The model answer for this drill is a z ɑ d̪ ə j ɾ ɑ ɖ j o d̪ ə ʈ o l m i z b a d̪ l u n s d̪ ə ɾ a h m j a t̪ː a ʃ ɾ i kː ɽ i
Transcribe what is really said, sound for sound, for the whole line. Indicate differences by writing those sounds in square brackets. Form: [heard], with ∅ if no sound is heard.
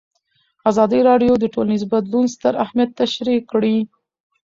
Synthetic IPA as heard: a z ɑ d̪ ə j ɾ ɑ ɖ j o d̪ ə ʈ o l [n] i z b a d̪ l u n s [t̪] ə ɾ a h m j a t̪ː a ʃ ɾ i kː ɽ i